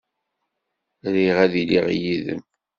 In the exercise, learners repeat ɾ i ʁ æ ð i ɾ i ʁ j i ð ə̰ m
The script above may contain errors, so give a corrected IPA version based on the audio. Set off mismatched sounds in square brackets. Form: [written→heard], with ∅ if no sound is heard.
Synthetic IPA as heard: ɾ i ʁ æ ð i [ɾ→l] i ʁ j i ð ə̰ m

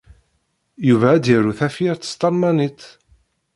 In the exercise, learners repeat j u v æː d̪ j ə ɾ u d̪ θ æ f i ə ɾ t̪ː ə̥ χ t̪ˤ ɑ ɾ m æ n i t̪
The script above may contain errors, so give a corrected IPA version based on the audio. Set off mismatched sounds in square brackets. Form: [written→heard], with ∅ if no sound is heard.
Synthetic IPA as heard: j u v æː d̪ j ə ɾ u [d̪→∅] θ æ f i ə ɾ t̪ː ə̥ [χ→s] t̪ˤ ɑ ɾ m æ n i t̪

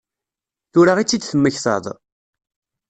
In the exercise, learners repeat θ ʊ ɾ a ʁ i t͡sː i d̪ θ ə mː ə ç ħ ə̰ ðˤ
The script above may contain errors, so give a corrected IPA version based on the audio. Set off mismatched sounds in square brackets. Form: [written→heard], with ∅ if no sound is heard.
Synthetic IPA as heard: θ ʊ ɾ a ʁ i t͡sː i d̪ θ ə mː ə ç [ħ→θ] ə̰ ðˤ

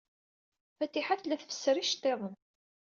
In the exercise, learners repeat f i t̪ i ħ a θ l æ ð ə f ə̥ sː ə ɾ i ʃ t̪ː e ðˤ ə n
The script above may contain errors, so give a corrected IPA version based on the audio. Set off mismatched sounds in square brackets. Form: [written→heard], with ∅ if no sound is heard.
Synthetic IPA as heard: f [i→æ] t̪ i ħ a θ l æ [ð→θ] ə f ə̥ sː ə ɾ i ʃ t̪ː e ðˤ ə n

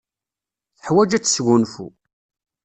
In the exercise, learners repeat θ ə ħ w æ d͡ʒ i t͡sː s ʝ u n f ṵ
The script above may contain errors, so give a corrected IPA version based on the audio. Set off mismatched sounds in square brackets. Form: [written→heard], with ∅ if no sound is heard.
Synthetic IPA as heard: θ ə ħ w æ d͡ʒ [i→æ] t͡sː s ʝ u n f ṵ

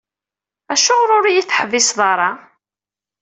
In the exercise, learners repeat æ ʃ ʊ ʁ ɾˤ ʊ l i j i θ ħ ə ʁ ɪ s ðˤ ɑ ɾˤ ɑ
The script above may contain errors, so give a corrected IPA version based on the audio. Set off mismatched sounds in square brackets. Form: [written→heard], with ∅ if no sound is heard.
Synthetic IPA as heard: æ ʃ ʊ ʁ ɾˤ ʊ [l→ɾ] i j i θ ħ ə [ʁ→v] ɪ s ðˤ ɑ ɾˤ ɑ

